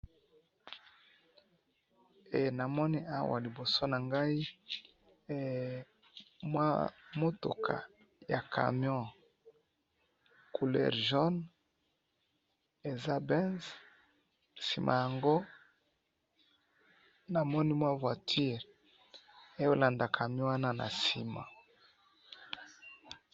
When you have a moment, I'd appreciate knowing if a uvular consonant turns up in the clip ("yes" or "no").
yes